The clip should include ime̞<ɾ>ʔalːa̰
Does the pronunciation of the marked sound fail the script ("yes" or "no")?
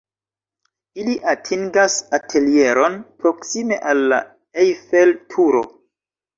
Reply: yes